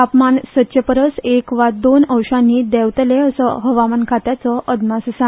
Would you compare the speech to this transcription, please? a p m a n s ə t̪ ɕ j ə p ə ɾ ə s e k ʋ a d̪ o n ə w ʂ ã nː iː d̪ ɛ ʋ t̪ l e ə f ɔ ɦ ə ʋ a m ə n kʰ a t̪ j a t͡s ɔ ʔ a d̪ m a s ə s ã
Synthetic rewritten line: a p m a n s ə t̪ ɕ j ə p ə ɾ ə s e k ʋ a d̪ o n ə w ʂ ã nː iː d̪ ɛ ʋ t̪ l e ə s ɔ ɦ ə ʋ a m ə n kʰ a t̪ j a t͡s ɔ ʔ ə d̪ m a s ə s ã